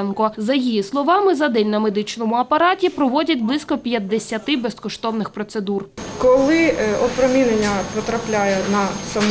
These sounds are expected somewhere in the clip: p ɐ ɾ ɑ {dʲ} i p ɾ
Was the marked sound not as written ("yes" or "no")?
yes